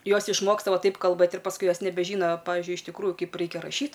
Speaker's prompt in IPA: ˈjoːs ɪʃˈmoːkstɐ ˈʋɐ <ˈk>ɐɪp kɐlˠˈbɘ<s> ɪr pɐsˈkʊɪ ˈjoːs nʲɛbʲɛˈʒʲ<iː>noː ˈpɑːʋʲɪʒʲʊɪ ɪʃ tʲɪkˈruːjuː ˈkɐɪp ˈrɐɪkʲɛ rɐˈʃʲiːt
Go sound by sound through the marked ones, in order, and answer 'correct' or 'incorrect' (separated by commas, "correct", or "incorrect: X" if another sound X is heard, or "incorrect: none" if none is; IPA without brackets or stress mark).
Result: incorrect: t, incorrect: t, correct